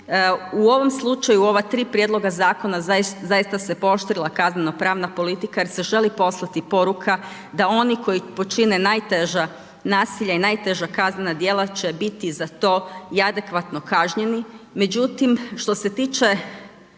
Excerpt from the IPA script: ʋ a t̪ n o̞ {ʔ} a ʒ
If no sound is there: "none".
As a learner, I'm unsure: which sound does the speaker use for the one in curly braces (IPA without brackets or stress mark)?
k